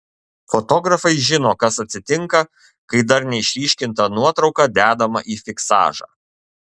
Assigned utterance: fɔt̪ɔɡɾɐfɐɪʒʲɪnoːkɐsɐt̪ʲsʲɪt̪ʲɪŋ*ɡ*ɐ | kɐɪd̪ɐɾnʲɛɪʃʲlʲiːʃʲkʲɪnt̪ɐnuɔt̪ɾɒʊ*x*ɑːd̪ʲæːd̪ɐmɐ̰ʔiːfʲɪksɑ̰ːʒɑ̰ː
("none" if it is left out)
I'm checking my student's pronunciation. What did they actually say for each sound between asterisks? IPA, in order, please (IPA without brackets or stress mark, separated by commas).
k, k